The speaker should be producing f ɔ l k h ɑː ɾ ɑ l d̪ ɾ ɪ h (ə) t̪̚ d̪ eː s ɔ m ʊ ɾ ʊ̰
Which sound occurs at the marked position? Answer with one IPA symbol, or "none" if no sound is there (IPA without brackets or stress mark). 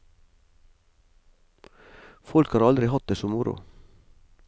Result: ɑ